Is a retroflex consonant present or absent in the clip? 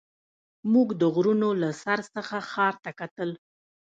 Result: absent